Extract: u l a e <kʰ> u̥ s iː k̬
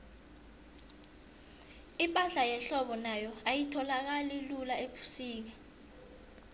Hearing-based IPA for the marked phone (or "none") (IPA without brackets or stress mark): pʰ